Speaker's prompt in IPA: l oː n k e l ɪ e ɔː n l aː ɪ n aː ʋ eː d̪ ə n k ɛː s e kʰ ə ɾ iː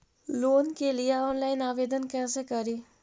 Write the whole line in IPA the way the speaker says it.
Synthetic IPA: l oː n k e l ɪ e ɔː n l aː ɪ n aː ʋ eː d̪ ə n k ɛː s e k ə ɾ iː